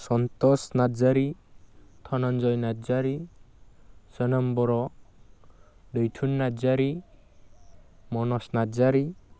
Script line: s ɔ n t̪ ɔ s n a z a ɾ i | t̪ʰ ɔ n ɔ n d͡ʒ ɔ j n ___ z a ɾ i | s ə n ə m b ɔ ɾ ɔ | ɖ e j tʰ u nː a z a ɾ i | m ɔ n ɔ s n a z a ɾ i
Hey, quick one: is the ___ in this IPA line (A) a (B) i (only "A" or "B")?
A